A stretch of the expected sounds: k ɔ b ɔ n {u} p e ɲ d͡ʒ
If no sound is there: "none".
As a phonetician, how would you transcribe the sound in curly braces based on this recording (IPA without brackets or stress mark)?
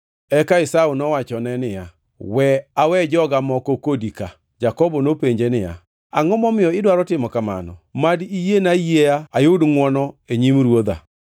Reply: o